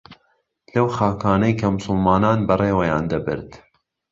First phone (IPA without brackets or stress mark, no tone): l